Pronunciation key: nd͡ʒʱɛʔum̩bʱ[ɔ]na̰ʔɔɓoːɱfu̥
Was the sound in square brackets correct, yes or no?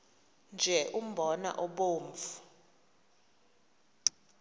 yes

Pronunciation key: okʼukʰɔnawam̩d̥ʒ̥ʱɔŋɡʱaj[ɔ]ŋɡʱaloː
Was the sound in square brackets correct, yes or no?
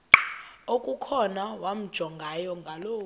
yes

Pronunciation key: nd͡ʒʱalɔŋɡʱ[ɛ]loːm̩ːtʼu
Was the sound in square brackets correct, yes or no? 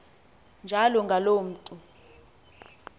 no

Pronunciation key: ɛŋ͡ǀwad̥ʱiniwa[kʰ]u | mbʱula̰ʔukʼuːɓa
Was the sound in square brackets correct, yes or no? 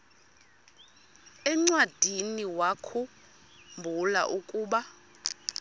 yes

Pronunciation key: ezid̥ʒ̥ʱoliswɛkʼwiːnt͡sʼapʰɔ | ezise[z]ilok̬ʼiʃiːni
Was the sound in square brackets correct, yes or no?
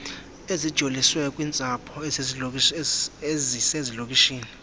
yes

